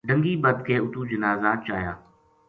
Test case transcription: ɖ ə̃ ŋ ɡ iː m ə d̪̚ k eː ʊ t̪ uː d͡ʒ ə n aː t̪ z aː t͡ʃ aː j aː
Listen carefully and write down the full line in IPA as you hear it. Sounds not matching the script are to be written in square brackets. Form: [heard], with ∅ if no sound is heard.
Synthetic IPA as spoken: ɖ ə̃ ŋ ɡ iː [b] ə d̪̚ k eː ʊ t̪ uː d͡ʒ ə n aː [∅] z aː t͡ʃ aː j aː